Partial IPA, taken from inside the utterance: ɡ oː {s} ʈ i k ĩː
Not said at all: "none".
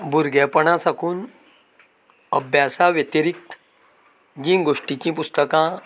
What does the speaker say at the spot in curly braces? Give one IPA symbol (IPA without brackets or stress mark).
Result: ʂ